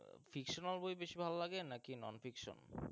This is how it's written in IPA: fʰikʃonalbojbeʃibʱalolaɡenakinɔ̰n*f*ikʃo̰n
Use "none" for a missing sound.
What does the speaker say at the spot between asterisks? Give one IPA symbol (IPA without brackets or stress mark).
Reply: f